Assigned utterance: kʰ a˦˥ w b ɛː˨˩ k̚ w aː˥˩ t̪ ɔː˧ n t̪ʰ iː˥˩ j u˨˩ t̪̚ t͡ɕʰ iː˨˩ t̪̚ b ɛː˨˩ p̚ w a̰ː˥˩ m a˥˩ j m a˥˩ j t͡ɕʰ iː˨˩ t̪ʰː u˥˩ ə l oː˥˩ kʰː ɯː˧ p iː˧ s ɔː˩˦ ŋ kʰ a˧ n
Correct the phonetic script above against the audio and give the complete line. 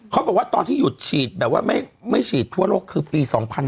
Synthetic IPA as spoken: kʰ a˦˥ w b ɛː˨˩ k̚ w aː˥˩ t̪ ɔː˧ n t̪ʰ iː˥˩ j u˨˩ t̪̚ t͡ɕʰ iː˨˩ t̪̚ b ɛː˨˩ p̚ w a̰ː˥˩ m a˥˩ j m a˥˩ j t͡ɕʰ iː˨˩ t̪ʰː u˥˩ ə l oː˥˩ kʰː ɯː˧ p iː˧ s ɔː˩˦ ŋ pʰ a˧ n